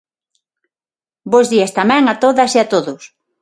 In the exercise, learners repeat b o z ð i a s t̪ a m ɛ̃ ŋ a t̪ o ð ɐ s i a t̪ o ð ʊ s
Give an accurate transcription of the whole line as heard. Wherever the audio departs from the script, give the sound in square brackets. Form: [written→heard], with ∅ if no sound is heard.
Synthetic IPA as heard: b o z ð i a s t̪ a m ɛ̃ ŋ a t̪ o ð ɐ s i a t̪ o ð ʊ s